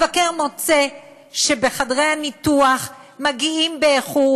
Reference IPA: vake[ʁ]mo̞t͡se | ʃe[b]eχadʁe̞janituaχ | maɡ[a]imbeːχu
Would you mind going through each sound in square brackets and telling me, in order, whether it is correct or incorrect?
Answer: correct, correct, incorrect

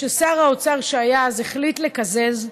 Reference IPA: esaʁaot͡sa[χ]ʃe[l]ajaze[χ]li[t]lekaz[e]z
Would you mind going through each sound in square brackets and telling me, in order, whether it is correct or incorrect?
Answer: incorrect, incorrect, correct, correct, correct

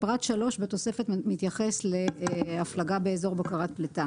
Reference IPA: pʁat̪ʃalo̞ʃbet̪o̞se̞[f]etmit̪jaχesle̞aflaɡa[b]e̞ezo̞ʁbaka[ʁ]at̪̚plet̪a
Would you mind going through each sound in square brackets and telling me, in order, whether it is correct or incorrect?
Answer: correct, correct, correct

